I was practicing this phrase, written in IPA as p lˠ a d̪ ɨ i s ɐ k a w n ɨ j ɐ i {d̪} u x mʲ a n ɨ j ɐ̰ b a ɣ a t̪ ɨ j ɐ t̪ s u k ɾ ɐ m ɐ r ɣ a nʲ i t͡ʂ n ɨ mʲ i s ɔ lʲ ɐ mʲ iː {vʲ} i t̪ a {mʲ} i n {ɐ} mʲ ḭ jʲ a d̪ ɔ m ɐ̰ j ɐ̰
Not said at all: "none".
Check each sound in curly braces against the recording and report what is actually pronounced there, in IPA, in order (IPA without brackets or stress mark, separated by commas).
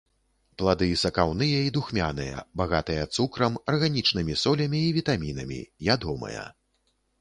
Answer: d̪, vʲ, mʲ, ɐ